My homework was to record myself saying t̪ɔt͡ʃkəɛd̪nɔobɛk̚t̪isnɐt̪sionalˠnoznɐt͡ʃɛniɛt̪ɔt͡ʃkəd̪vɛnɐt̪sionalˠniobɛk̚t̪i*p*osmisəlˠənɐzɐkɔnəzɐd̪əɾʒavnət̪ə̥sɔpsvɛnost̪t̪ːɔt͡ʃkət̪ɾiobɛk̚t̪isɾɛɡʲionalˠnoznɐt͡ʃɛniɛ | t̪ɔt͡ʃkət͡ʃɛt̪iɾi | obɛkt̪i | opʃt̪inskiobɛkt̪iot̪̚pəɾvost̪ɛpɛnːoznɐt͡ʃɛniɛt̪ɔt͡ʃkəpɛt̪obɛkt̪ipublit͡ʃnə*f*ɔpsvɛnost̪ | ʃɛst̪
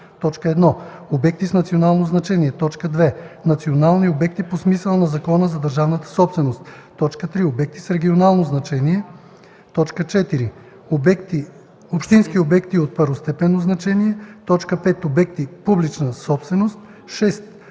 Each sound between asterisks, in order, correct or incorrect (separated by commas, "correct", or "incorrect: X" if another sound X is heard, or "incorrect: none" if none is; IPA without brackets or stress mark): correct, incorrect: s